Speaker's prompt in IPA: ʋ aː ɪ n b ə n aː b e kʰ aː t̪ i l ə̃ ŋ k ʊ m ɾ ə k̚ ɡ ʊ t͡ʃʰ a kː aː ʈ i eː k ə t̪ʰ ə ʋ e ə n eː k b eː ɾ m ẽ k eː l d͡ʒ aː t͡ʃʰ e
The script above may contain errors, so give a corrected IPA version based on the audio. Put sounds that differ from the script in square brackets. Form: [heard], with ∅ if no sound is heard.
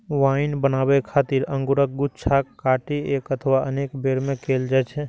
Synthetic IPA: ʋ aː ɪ n b ə n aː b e kʰ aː t̪ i [ɾ] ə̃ ŋ [ɡ] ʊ [∅] ɾ ə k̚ ɡ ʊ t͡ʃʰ a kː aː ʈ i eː k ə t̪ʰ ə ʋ [a] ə n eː k b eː ɾ m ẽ k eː l d͡ʒ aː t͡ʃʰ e